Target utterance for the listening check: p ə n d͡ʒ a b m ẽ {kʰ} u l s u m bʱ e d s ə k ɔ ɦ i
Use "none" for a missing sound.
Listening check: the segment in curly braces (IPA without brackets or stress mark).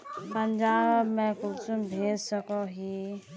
k